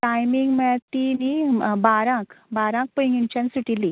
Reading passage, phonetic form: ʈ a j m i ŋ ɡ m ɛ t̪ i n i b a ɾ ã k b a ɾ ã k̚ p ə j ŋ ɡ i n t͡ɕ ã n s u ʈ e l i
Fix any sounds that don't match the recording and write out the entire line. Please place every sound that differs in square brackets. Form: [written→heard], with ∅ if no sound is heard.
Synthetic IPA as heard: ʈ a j m i ŋ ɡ m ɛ t̪ i n i b a ɾ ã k b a ɾ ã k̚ p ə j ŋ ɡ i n t͡ɕ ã n s u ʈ [e→i] l i